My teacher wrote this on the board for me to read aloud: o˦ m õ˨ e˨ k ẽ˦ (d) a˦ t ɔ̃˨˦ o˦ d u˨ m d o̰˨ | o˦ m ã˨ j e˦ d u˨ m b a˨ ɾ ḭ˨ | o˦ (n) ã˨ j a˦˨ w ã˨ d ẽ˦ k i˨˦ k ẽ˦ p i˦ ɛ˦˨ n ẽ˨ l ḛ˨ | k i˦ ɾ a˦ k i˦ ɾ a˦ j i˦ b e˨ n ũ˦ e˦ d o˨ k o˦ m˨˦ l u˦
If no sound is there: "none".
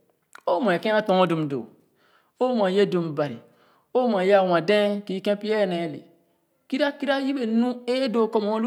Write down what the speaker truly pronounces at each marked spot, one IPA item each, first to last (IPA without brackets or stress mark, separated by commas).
none, m